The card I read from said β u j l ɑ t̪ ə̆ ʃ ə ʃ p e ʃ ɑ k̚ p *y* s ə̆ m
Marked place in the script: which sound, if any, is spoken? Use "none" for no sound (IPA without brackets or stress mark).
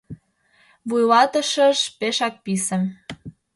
i